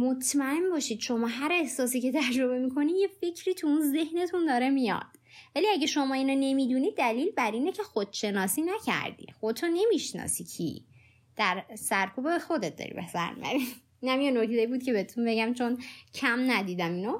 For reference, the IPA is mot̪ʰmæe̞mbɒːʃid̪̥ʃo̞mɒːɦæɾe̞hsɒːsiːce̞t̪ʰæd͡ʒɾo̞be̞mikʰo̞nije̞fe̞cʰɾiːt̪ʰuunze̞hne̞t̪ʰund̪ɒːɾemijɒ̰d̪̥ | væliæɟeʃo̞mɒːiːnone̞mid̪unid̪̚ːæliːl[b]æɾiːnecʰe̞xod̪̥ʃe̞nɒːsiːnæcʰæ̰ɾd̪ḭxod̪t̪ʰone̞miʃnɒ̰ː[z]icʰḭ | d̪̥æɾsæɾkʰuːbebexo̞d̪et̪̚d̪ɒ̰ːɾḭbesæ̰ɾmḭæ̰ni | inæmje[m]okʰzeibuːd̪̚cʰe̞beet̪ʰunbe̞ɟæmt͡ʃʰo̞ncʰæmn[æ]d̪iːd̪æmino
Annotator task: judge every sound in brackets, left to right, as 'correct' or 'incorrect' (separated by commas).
correct, incorrect, incorrect, correct